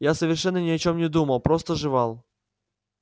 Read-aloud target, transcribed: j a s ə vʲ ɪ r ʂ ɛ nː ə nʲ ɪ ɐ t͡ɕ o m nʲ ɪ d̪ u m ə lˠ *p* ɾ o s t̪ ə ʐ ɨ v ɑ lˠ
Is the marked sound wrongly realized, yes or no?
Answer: no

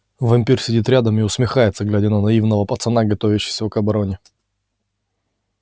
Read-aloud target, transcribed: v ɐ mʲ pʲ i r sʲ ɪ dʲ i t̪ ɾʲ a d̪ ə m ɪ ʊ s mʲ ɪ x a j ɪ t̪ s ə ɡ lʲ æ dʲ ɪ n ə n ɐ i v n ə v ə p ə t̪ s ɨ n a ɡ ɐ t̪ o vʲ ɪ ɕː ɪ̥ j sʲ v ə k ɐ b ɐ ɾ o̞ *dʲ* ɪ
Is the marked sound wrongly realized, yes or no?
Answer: yes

